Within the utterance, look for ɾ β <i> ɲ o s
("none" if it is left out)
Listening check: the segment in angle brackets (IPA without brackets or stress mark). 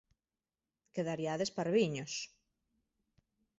i